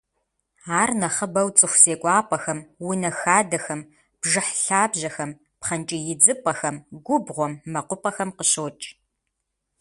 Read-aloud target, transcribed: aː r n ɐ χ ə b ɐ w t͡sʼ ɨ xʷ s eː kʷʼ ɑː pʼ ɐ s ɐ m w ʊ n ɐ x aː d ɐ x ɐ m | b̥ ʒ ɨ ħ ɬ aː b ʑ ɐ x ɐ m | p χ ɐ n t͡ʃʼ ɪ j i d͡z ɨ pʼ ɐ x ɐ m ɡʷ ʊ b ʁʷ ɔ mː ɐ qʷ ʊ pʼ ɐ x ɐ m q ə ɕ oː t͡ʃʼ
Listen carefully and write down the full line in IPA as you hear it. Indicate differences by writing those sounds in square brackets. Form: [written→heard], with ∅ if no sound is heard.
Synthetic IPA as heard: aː r n ɐ χ ə b ɐ w t͡sʼ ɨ xʷ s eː kʷʼ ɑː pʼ ɐ [s→x] ɐ m w ʊ n ɐ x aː d ɐ x ɐ m | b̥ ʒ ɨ ħ ɬ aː b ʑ ɐ x ɐ m | p χ ɐ n t͡ʃʼ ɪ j [i→ɪ] d͡z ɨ pʼ ɐ x ɐ m ɡʷ ʊ b ʁʷ ɔ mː ɐ qʷ ʊ pʼ ɐ x ɐ m q ə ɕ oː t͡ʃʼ